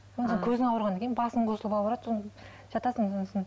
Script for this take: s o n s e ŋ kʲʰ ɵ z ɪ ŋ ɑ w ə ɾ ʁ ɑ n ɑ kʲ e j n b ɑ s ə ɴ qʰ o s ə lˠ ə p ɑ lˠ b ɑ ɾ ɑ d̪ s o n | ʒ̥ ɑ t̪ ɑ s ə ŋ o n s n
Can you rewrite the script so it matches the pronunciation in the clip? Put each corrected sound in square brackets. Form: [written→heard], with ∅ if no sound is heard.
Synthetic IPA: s o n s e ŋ kʲʰ ɵ z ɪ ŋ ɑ w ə ɾ ʁ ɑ n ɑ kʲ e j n b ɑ s ə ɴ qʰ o s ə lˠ ə p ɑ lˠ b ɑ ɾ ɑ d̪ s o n | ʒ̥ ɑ t̪ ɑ s ə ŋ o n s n